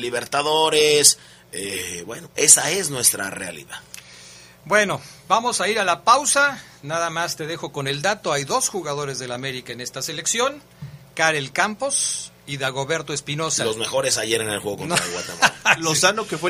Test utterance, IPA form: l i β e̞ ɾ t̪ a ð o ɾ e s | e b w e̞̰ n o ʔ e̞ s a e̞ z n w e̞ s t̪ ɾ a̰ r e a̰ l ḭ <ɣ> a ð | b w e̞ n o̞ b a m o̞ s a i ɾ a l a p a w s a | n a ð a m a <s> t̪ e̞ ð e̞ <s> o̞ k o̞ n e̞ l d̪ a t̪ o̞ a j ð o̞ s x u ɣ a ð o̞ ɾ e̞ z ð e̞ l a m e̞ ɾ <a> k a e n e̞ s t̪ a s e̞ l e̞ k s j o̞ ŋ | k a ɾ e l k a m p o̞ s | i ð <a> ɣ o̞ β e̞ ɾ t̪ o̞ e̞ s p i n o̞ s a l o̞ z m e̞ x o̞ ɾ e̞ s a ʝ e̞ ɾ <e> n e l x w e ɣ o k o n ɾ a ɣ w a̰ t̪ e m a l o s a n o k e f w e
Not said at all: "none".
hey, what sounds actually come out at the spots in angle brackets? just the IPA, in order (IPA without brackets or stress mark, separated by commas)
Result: ð, s, x, i, a, e